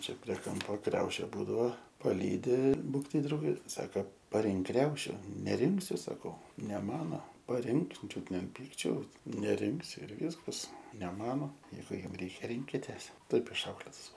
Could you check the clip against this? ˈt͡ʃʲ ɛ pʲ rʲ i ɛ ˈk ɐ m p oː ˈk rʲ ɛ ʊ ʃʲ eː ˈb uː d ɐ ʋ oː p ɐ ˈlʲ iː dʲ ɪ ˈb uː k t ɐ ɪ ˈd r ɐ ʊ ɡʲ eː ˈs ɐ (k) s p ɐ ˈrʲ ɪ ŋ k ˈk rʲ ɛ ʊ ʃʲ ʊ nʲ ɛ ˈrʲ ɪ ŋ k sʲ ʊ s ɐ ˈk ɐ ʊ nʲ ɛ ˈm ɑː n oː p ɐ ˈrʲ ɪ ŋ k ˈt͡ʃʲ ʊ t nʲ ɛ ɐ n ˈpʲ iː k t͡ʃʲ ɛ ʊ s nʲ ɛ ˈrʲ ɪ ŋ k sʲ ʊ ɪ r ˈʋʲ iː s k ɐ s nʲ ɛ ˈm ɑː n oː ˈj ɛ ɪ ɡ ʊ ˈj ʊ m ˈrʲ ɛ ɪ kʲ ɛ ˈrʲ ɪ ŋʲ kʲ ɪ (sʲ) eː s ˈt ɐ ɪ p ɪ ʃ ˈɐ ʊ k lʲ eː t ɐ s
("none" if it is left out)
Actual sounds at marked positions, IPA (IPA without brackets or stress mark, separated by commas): k, tʲ